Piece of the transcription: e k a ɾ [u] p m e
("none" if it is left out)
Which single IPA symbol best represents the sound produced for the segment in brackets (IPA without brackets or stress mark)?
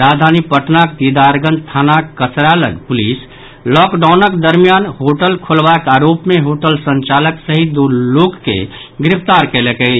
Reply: o